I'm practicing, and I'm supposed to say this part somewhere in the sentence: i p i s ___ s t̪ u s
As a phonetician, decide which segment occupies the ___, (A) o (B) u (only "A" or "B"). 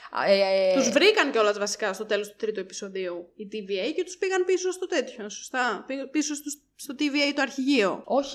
A